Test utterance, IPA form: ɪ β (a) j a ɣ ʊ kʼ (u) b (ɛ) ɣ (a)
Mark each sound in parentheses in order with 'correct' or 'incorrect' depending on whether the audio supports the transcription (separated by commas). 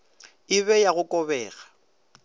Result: incorrect, incorrect, incorrect, correct